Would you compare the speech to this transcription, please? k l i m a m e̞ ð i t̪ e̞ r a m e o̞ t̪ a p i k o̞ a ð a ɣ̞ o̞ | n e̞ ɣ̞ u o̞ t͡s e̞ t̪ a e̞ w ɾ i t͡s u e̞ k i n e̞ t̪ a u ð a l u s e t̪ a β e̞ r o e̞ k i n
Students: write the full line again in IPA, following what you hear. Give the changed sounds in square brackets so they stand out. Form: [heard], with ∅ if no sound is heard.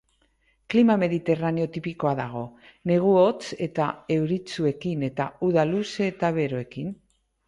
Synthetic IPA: k l i m a m e̞ ð i t̪ e̞ r a [n] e o̞ t̪ [i] p i k o̞ a ð a ɣ̞ o̞ | n e̞ ɣ̞ u o̞ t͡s e̞ t̪ a e̞ w ɾ i t͡s u e̞ k i n e̞ t̪ a u ð a l u s e t̪ a β e̞ [ɾ] o e̞ k i n